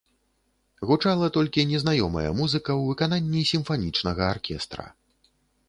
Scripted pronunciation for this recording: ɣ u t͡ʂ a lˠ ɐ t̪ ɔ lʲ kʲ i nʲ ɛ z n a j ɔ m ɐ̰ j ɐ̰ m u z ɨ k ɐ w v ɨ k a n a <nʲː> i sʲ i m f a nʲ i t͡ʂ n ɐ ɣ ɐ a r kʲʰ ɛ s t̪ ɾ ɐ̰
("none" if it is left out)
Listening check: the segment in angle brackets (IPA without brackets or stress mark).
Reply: nʲː